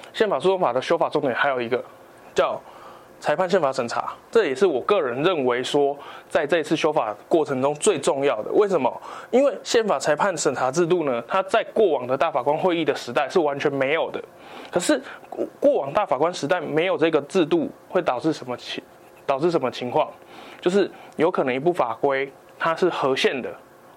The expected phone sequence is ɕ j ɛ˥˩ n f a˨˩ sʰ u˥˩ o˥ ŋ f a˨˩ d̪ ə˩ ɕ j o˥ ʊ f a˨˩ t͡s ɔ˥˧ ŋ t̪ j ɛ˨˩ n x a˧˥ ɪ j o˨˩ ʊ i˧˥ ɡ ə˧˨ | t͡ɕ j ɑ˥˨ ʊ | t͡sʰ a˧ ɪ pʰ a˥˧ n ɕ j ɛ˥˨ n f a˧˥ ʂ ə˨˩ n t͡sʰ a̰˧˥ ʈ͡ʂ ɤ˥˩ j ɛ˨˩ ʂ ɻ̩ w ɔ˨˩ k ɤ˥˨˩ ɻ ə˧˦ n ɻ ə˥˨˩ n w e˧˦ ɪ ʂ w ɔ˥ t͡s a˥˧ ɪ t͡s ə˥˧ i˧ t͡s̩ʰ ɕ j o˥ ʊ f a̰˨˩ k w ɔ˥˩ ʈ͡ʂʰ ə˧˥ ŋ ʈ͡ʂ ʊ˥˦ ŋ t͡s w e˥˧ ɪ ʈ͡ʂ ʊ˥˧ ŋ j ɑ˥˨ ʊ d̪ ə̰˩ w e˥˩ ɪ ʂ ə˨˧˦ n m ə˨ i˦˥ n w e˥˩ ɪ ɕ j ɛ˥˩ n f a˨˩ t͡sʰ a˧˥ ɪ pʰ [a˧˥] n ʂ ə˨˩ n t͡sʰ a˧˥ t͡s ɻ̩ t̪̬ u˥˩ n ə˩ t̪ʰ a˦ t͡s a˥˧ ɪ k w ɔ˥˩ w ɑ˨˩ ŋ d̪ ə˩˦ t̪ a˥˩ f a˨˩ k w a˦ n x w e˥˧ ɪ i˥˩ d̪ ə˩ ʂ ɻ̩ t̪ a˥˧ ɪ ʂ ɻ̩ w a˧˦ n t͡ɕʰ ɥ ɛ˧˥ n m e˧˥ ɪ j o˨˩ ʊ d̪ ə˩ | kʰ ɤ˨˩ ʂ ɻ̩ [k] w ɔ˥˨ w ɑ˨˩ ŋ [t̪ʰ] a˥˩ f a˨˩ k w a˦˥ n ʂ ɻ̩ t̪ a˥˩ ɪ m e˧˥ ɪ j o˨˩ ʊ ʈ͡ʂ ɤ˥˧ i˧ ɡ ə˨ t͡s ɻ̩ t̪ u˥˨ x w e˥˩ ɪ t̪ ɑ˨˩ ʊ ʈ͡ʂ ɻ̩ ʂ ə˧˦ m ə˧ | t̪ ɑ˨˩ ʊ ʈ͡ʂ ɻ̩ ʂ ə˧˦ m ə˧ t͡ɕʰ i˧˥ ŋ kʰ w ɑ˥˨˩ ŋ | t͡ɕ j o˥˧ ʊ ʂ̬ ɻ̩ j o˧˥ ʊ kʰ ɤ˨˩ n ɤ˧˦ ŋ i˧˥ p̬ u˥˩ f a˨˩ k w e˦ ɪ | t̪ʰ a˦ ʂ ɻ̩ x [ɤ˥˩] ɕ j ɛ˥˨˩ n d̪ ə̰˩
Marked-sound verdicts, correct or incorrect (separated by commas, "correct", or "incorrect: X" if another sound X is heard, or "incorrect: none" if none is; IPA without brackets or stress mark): incorrect: a˥˩, correct, incorrect: t̪, incorrect: ɤ˧˥